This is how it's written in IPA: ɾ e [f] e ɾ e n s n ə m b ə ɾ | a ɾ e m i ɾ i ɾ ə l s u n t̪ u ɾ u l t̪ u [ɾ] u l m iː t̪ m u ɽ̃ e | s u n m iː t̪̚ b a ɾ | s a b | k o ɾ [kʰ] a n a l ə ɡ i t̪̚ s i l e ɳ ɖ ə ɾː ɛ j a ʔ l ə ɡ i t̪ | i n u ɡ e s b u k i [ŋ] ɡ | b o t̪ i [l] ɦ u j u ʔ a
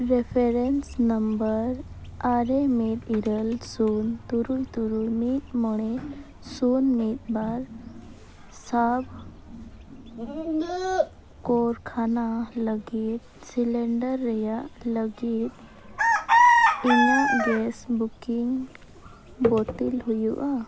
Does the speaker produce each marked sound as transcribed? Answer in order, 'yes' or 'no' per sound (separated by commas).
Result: yes, yes, yes, yes, yes